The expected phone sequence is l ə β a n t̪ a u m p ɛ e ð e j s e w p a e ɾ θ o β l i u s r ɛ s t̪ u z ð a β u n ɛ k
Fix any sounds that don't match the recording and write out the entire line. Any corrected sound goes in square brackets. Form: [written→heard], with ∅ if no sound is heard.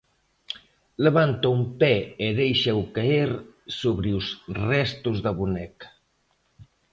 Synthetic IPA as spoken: l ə β a n t̪ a u m p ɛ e ð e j [s→ʃ] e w [p→k] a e ɾ [θ→s] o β [l→ɾ] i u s r ɛ s t̪ u z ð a β u n ɛ k